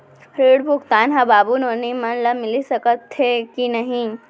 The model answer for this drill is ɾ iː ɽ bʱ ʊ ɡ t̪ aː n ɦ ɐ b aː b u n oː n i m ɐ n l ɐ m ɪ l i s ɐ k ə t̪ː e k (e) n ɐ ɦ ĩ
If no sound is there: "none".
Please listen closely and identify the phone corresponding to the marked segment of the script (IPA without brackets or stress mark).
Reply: i